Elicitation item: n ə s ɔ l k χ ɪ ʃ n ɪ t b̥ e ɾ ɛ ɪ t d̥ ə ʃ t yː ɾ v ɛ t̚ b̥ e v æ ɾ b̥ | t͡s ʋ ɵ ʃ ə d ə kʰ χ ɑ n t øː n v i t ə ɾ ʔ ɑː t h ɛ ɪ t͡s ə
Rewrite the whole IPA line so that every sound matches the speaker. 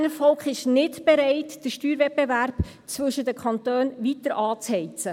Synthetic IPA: n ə f ɔ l k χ ɪ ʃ n ɪ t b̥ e ɾ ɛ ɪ t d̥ ə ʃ t yː ɾ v ɛ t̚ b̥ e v æ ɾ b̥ | t͡s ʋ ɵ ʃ ə d ə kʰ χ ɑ n t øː n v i t ə ɾ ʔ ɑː t͡s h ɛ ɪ t͡s ə